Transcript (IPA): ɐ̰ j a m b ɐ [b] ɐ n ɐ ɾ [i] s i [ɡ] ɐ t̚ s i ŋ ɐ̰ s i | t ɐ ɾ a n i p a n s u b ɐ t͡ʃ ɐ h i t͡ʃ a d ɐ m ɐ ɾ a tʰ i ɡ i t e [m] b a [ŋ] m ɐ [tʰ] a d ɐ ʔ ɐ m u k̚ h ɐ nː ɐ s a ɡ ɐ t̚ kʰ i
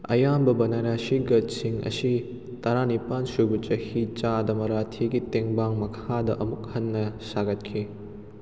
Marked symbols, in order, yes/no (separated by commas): yes, no, yes, no, yes, no